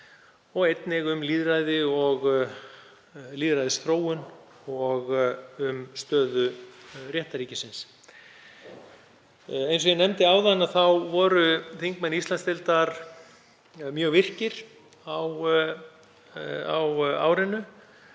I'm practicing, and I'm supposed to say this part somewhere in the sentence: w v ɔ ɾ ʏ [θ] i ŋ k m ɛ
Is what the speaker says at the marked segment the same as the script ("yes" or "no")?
yes